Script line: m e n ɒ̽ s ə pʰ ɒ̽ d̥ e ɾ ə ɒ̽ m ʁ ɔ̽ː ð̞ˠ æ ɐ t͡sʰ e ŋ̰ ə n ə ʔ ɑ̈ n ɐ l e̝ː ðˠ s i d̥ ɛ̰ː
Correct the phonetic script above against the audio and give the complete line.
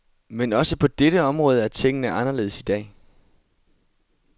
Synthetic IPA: m e n ɒ̽ s ə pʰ ɒ̽ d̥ e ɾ ə ɒ̽ m ʁ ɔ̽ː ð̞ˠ æ ɐ t͡sʰ e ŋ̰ ə n ə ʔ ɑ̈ n ɐ l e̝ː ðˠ s i d̥ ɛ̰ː